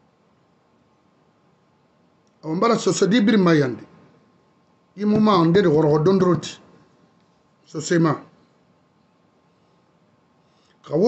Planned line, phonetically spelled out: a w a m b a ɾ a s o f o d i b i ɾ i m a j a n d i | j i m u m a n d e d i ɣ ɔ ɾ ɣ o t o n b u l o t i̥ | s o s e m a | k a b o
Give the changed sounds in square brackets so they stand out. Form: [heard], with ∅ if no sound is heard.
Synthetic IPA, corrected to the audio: a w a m b a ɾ a s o [s] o d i b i ɾ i m a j a n d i | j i m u m a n d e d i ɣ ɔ ɾ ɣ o [d] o n [d] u [ɾ] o t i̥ | s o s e m a | k a [w] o